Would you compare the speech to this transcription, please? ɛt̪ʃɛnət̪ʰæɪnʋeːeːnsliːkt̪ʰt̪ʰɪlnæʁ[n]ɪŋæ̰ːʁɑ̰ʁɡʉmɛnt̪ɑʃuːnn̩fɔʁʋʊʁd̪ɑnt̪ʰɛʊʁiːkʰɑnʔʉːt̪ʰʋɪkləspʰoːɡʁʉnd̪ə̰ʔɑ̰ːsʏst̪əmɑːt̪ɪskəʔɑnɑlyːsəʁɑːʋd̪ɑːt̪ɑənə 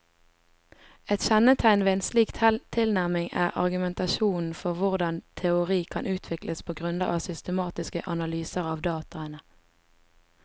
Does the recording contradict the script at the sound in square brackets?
yes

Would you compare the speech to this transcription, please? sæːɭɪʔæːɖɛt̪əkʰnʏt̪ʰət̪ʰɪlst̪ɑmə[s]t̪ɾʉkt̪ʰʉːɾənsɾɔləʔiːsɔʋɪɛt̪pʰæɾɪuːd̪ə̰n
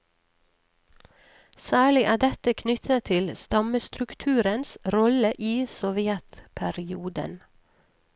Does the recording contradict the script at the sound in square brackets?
no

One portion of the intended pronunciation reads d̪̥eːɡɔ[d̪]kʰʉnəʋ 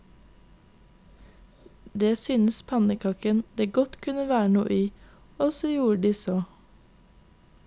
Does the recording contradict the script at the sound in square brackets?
yes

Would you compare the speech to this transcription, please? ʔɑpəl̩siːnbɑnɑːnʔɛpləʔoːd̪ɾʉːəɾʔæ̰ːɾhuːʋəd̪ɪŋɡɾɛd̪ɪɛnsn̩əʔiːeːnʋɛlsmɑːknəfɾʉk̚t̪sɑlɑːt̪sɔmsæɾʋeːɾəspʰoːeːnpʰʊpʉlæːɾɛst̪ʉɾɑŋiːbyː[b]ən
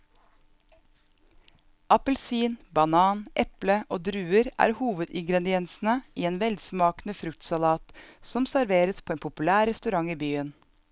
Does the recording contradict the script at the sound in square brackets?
yes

